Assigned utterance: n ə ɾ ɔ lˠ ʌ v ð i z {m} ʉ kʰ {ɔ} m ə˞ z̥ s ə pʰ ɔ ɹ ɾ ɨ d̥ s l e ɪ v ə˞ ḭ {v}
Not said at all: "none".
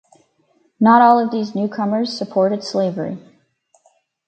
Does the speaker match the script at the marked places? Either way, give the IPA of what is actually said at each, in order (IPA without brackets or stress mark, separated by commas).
n, ʌ, none